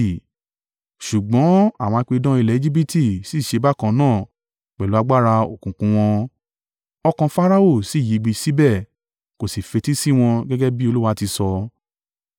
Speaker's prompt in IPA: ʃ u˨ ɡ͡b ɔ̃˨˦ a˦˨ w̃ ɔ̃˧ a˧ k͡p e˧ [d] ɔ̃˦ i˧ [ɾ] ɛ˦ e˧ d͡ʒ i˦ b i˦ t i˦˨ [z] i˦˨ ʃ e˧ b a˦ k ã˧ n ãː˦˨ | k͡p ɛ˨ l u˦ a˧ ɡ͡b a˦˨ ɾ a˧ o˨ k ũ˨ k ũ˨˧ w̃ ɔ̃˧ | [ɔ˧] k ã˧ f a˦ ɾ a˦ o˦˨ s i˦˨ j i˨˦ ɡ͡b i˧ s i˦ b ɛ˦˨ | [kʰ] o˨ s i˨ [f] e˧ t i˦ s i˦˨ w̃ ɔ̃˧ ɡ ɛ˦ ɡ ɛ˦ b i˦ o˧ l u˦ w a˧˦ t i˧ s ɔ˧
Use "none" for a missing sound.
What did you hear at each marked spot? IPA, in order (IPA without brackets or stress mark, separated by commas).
d, l, s, ɔ˧, k, f